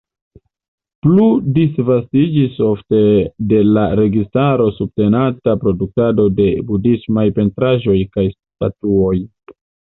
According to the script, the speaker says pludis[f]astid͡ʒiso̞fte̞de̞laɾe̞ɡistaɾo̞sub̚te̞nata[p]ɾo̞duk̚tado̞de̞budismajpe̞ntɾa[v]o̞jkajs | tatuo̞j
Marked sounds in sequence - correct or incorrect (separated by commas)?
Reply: incorrect, correct, incorrect